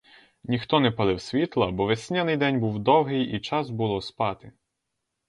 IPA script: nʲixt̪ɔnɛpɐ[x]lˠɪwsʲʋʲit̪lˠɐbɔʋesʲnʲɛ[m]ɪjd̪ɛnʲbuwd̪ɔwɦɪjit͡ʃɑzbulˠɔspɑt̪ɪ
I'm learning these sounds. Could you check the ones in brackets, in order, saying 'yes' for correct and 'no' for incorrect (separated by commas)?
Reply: no, no